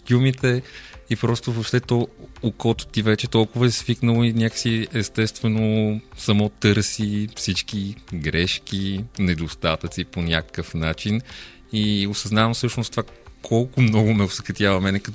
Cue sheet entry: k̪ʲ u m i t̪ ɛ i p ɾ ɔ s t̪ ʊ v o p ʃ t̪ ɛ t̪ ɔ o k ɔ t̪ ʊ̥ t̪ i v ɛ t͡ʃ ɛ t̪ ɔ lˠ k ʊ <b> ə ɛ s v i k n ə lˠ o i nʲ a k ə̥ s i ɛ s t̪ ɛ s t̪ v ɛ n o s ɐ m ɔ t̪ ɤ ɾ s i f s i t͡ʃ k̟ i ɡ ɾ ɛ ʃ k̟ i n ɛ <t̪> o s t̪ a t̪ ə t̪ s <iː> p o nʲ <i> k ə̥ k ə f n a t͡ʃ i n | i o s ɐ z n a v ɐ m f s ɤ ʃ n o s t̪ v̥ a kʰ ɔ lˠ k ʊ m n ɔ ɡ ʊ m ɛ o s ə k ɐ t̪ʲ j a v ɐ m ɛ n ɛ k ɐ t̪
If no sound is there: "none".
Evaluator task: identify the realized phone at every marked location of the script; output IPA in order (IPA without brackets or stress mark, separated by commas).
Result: v, d̪, i, a